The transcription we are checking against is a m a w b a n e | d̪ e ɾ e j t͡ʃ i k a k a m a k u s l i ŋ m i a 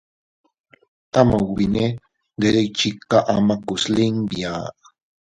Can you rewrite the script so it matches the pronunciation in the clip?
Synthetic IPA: a m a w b i n e | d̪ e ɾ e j t͡ʃ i k a ʔ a m a k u s l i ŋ b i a